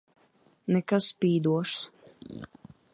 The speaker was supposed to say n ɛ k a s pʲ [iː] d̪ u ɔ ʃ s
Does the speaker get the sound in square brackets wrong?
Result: no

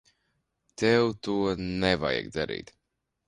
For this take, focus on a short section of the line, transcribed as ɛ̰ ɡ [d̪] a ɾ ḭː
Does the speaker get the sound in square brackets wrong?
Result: no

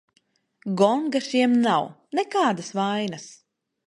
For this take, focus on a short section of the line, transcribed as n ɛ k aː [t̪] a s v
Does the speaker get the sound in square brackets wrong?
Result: yes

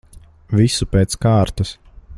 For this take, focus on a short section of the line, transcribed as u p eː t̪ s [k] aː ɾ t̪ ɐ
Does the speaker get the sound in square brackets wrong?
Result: no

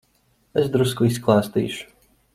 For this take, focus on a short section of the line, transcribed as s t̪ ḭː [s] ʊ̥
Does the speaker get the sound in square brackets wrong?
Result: yes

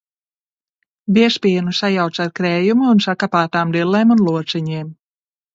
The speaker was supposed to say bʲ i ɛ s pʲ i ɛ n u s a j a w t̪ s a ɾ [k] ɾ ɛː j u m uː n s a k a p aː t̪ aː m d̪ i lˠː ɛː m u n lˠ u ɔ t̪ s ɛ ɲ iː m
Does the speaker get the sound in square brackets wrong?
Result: no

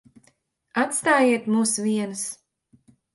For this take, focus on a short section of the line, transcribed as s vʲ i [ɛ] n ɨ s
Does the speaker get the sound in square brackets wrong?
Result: no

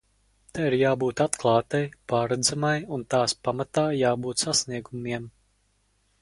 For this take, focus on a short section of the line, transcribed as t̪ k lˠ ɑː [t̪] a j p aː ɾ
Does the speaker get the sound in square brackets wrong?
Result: no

